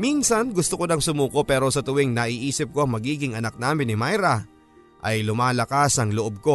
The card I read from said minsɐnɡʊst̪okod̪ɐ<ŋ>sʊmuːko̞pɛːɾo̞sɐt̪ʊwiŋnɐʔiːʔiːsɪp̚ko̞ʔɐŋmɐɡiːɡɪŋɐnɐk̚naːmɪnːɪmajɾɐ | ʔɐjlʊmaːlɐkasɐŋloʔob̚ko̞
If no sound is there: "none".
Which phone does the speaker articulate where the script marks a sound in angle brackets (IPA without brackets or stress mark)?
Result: ŋ